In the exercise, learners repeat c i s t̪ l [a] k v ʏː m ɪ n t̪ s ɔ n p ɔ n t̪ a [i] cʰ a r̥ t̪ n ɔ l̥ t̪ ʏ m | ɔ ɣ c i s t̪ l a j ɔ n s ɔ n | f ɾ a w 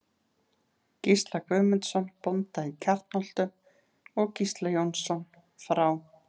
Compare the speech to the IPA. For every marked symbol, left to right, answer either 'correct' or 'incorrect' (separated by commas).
correct, correct